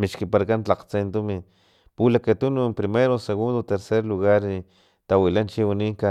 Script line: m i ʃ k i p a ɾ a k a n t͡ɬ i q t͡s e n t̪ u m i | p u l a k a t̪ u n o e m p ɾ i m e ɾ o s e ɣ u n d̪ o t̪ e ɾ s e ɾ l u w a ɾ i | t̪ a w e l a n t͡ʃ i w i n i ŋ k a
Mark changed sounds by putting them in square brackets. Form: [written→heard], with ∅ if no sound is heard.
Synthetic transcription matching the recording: m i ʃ k i p a ɾ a k a n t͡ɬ [i→a] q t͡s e n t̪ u m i | p u l a k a t̪ u n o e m p ɾ i m e ɾ o s e ɣ u n d̪ o t̪ e ɾ s e ɾ l u [w→ɣ] a ɾ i | t̪ a w [e→i] l a n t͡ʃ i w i n i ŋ k a